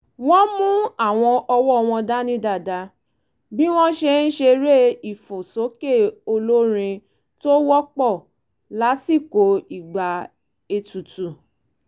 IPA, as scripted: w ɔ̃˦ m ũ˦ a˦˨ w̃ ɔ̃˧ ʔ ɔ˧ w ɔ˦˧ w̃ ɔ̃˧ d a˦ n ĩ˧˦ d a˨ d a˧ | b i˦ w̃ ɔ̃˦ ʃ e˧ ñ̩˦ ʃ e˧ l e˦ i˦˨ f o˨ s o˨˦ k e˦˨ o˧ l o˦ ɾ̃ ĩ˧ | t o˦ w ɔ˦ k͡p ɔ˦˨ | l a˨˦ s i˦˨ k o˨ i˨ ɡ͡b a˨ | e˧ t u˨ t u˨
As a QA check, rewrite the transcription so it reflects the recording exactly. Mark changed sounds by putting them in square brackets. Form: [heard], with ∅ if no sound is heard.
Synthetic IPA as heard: w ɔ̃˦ m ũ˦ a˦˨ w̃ ɔ̃˧ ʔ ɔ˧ w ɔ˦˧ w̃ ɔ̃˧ d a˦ n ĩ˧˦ d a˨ d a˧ | b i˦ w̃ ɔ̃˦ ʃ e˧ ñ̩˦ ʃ e˧ [ɾ] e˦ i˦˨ f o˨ s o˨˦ k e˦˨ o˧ l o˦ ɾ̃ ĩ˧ | t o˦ w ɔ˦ k͡p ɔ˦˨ | l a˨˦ s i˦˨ k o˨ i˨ ɡ͡b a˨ | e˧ t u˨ t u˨